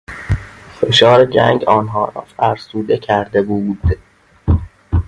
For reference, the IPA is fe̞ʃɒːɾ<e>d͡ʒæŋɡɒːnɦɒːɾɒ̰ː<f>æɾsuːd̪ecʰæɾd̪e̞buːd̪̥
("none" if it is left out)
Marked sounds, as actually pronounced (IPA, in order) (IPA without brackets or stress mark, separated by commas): e, f